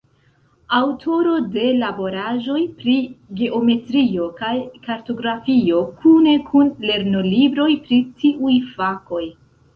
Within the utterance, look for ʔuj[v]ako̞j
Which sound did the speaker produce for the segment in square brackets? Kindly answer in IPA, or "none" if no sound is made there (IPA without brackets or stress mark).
f